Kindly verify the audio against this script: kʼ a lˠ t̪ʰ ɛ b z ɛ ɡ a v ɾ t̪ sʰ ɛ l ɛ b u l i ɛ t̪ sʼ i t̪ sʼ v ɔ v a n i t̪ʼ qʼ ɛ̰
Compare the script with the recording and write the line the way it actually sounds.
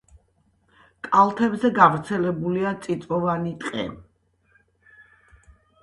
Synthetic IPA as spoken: kʼ a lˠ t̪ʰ ɛ b z ɛ ɡ a v ɾ t̪ sʰ ɛ l ɛ b u l i a t̪ sʼ i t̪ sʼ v ɔ v a n i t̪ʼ qʼ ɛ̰